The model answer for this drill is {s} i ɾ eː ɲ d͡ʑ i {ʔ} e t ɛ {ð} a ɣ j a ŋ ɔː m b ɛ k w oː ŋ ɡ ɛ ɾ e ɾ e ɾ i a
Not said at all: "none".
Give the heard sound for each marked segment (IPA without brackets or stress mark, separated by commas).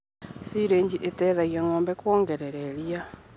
s, ʔ, ð